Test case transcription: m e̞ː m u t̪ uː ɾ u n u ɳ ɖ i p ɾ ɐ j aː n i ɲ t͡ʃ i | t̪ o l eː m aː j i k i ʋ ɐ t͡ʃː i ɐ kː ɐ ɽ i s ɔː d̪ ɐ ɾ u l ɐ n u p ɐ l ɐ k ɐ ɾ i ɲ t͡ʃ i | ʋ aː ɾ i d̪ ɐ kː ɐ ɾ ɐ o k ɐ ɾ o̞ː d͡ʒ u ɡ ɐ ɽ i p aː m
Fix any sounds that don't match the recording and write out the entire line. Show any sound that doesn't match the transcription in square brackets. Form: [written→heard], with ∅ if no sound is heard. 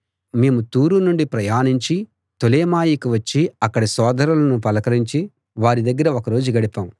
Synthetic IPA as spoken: m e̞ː m u t̪ uː ɾ u n u ɳ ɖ i p ɾ ɐ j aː n i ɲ t͡ʃ i | t̪ o l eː m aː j i k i ʋ ɐ t͡ʃː i ɐ kː ɐ ɽ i s ɔː d̪ ɐ ɾ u l ɐ n u p ɐ l ɐ k ɐ ɾ i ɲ t͡ʃ i | ʋ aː ɾ i d̪ ɐ [kː→ɡː] ɐ ɾ ɐ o k ɐ ɾ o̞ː d͡ʒ u ɡ ɐ ɽ i p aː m